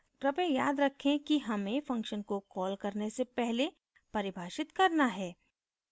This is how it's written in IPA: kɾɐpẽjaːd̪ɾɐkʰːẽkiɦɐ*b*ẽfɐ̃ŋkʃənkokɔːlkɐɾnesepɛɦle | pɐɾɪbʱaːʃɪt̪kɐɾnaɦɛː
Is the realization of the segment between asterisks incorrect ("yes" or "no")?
yes